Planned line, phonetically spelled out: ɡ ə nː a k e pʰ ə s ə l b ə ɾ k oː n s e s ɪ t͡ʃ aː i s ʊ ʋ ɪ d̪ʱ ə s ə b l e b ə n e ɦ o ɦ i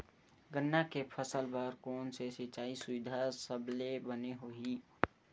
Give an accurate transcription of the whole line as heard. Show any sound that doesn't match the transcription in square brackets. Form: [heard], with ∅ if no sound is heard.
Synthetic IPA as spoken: ɡ ə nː a k e pʰ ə s ə l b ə ɾ k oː n s e s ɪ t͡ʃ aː i s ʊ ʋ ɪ d̪ʱ [a] s ə b l e b ə n e ɦ o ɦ i

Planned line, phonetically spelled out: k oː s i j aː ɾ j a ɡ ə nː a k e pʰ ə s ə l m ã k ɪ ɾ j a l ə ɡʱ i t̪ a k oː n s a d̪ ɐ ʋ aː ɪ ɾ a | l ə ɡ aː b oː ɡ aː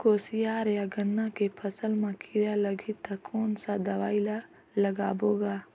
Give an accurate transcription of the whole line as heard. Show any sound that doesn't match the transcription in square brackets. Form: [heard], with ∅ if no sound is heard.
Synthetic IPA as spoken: k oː s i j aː ɾ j a ɡ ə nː a k e pʰ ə s ə l m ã k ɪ ɾ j a l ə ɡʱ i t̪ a k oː n s a d̪ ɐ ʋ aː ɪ [l] a | l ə ɡ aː b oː ɡ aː

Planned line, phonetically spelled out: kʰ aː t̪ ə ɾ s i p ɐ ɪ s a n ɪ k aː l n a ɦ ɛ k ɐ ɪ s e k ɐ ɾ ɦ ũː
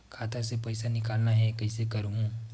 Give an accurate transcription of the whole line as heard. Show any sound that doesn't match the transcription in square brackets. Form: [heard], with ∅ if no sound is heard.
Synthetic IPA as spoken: kʰ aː t̪ ə ɾ s [e] p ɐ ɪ s a n ɪ k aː l n a ɦ ɛ k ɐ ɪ s e k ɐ ɾ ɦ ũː

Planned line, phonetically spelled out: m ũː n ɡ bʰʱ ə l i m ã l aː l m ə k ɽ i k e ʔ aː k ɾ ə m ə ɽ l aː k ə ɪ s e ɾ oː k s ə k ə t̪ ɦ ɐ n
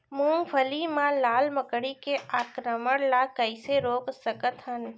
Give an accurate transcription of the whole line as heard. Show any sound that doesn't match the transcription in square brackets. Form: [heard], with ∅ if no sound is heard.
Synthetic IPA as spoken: m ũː [ŋ] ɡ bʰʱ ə l i m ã l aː l m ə k ɽ i k e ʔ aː k ɾ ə m ə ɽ l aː k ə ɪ s e ɾ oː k s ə k ə t̪ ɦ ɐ n

